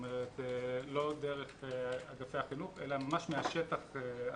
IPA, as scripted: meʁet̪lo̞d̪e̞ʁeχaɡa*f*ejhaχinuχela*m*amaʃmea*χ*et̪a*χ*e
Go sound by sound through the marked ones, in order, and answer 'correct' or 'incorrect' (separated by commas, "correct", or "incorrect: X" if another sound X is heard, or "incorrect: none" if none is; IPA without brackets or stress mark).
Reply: correct, correct, incorrect: ʃ, correct